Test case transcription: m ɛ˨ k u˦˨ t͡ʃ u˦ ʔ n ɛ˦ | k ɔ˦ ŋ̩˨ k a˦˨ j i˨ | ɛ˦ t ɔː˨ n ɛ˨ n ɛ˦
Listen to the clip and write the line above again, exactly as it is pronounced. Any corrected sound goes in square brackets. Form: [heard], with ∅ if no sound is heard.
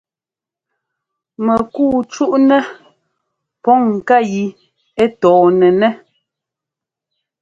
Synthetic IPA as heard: m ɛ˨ k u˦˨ t͡ʃ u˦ ʔ n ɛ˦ | [p] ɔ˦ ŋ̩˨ k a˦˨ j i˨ | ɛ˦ t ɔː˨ n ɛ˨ n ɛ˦